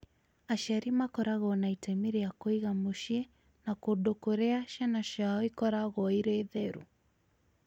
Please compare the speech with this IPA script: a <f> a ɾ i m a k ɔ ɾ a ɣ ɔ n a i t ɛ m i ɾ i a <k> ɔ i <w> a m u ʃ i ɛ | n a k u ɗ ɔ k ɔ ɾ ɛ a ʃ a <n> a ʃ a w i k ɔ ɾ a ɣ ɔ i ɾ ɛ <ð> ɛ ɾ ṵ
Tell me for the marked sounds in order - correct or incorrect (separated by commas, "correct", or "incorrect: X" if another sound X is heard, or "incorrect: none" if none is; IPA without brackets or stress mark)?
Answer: incorrect: ʃ, correct, incorrect: ɣ, correct, correct